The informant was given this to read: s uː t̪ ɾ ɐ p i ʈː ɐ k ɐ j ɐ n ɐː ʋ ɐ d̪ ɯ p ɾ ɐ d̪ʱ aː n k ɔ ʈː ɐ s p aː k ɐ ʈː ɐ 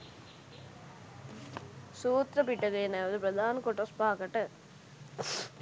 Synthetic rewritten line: s uː t̪ ɾ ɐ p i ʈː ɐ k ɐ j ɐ n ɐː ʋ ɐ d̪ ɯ p ɾ ɐ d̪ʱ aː n k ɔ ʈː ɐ s p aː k ɐ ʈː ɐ